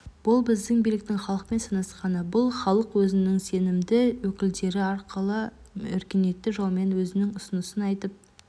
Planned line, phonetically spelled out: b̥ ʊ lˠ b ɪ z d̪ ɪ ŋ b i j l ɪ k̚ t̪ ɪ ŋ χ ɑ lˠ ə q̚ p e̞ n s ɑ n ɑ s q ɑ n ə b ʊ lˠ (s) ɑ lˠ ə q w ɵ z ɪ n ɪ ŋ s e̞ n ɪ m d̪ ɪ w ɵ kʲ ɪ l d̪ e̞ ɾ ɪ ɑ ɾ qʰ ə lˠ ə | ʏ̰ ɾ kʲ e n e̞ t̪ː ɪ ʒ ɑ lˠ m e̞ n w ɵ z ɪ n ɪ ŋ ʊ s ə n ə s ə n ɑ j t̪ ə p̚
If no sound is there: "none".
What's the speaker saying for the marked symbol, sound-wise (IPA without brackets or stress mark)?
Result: χ